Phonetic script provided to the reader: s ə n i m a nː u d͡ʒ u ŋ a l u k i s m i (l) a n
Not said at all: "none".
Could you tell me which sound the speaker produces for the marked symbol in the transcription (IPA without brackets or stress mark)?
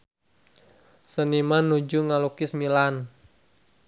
l